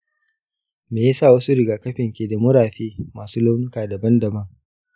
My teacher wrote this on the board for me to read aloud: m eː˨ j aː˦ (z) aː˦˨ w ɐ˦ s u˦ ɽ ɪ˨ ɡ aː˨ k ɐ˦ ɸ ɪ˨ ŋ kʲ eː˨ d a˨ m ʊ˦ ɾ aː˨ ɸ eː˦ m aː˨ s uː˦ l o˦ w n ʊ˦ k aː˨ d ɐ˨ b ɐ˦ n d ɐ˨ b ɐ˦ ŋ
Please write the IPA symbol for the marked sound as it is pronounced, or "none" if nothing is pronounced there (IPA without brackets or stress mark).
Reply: s